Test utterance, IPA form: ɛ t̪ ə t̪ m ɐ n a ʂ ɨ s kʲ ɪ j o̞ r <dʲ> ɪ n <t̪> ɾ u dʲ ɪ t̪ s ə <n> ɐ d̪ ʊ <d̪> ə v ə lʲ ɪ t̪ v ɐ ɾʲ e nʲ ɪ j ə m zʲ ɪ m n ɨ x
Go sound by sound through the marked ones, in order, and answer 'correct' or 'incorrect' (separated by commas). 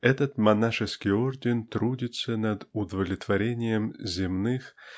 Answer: correct, correct, correct, correct